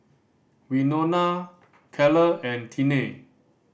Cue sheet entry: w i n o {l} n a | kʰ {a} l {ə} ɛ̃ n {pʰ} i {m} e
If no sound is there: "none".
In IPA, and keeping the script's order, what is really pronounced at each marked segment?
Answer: none, ɛ, ə, tʰ, n

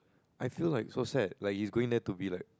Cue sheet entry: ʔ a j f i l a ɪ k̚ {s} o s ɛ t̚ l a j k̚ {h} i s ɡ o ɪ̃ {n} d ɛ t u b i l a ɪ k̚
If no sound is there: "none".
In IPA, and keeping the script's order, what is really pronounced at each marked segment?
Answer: s, h, ŋ

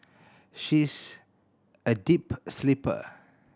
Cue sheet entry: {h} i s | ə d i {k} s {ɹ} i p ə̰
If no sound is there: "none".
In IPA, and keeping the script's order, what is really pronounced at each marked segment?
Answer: ʃ, p, l

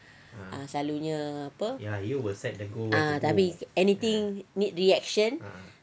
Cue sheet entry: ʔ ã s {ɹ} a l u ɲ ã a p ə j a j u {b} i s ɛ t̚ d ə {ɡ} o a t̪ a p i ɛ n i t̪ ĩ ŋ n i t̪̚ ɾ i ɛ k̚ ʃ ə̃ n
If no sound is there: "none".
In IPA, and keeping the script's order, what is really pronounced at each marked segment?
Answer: l, w, ɡ

